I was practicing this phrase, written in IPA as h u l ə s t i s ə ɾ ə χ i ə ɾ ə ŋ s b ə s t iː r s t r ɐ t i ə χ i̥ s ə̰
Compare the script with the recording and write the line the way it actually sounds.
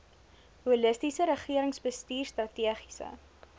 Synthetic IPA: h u l ə s t i s ə ɾ ə χ i ə ɾ ə ŋ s b ə s t iː r s t r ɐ t i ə χ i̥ s ə̰